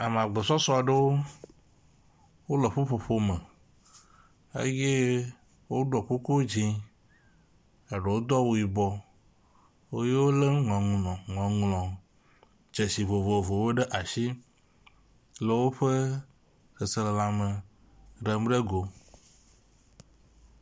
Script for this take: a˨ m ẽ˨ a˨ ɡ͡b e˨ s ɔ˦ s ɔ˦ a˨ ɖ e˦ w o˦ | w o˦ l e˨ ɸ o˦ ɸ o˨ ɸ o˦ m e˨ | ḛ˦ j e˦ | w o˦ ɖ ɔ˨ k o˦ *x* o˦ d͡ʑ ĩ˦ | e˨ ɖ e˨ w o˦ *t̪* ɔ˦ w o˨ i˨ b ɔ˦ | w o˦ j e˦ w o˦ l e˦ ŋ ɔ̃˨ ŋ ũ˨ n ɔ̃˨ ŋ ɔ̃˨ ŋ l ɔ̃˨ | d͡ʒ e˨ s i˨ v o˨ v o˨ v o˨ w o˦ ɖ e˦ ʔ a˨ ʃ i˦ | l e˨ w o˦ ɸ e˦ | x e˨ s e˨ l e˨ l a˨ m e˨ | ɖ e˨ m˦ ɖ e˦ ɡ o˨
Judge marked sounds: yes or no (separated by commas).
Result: no, no